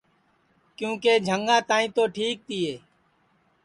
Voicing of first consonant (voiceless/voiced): voiceless